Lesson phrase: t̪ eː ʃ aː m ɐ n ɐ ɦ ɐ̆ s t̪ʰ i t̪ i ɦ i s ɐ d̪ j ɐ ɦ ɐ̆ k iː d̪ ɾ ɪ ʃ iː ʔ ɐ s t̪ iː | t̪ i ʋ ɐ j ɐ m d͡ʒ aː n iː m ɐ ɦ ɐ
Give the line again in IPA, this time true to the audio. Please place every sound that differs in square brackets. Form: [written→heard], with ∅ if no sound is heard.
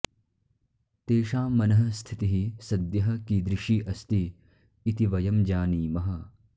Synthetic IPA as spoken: t̪ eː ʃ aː m ɐ n ɐ ɦ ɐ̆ s t̪ʰ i t̪ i ɦ i s ɐ d̪ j ɐ ɦ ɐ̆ k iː d̪ ɾ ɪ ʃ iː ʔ ɐ s t̪ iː | t̪ i ʋ ɐ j ɐ m d͡ʒ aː n iː m ɐ ɦ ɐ